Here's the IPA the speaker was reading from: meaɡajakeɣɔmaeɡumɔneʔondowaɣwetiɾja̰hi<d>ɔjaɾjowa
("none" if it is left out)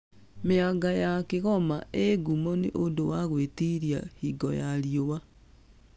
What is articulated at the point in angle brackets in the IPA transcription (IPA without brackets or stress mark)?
ɡ